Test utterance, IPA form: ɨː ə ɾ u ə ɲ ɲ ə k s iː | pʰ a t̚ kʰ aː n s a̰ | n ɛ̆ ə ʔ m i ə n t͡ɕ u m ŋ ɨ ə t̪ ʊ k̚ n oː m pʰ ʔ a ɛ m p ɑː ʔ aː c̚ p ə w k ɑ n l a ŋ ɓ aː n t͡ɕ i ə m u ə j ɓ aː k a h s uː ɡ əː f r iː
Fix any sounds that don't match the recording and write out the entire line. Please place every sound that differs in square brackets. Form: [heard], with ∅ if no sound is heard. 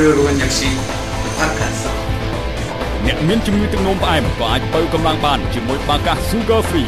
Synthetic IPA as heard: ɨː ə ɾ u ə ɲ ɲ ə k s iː | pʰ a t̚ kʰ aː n s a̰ | n ɛ̆ ə ʔ m i ə n t͡ɕ u m ŋ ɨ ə t̪ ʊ k̚ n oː m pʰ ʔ a ɛ m [k] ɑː ʔ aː c̚ p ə w k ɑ [m] l a ŋ ɓ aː n t͡ɕ i ə m u ə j ɓ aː k a h s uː ɡ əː f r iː

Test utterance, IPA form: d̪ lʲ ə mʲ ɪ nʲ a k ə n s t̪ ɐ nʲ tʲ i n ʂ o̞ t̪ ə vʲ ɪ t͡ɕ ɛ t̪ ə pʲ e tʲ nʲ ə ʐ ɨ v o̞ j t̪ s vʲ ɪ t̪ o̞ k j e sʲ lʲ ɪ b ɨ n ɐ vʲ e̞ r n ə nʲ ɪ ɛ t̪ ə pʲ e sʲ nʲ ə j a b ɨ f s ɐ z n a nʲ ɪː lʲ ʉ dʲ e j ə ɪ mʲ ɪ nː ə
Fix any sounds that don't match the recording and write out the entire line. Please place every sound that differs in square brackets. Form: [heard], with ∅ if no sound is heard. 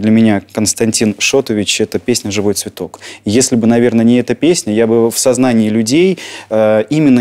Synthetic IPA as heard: d̪ lʲ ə mʲ ɪ nʲ a k ə n s t̪ ɐ nʲ tʲ i n ʂ o̞ t̪ ə vʲ ɪ t͡ɕ ɛ t̪ ə pʲ e [sʲ] nʲ ə ʐ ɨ v o̞ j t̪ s vʲ ɪ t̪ o̞ k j e sʲ lʲ ɪ b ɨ n ɐ vʲ e̞ r n ə nʲ ɪ ɛ t̪ ə pʲ e sʲ nʲ ə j a b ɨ f s ɐ z n a nʲ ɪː lʲ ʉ dʲ e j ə [i] mʲ ɪ nː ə

